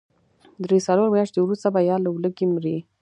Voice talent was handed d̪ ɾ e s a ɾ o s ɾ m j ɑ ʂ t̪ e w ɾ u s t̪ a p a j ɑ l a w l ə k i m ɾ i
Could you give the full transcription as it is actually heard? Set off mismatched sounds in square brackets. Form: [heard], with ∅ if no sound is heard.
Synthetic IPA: d̪ ɾ e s a [l] o [∅] ɾ m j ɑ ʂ t̪ e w ɾ u s t̪ a [b] a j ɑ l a w l ə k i m ɾ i